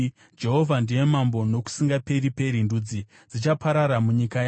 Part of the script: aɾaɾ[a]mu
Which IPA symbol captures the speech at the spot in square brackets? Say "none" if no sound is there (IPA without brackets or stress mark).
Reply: a